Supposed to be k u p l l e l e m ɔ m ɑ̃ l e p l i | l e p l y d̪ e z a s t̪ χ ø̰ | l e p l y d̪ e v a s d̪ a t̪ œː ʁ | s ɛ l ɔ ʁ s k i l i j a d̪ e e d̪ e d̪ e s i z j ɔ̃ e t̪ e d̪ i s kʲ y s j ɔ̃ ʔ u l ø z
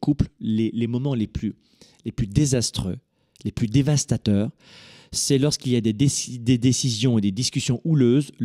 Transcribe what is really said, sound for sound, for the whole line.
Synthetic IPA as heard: k u p l l e l e m ɔ m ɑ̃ l e p l y | l e p l y d̪ e z a s t̪ χ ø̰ | l e p l y d̪ e v a s t̪ a t̪ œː ʁ | s ɛ l ɔ ʁ s k i l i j a d̪ e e d̪ e d̪ e s i z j ɔ̃ e d̪ e d̪ i s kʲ y s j ɔ̃ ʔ u l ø z